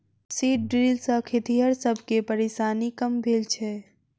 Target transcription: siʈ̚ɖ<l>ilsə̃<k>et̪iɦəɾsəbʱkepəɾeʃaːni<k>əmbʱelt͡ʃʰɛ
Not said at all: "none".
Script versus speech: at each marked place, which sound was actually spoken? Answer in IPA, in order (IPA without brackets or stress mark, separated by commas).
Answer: ɾ, kʰ, k